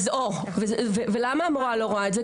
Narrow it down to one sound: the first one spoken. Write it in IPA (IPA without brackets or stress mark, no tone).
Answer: z